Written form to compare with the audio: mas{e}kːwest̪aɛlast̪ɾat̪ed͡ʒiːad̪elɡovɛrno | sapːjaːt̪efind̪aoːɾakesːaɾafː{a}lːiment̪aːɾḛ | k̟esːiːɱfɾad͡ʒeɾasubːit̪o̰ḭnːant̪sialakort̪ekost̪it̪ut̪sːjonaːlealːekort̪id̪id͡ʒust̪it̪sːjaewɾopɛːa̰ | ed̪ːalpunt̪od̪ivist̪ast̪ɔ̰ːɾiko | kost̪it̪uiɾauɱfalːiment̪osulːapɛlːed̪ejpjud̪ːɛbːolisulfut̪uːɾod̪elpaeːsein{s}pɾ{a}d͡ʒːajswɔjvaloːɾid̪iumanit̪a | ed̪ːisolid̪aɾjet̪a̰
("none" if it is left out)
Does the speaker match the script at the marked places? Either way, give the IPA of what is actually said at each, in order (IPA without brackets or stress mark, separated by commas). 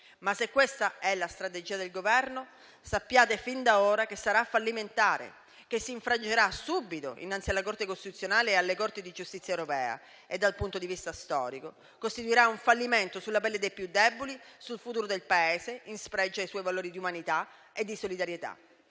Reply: e, a, s, ɛ